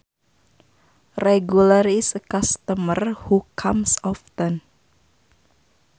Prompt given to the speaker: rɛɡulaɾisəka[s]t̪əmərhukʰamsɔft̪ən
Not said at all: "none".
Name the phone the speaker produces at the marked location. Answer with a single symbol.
s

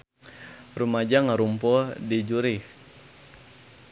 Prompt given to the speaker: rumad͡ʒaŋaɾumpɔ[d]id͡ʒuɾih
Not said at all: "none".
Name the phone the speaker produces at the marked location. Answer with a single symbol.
d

